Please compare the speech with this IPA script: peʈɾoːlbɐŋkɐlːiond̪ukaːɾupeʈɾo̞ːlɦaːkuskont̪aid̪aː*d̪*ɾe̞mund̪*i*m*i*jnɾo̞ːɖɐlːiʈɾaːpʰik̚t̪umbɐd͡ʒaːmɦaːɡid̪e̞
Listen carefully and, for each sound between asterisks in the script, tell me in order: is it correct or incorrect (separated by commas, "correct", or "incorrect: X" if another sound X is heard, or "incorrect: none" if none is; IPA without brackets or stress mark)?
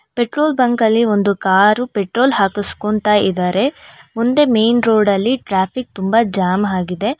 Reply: incorrect: none, incorrect: e, incorrect: e